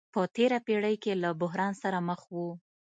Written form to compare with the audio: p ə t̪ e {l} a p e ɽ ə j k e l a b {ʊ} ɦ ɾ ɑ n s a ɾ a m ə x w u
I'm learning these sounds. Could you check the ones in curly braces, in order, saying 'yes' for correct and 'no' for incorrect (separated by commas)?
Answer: no, yes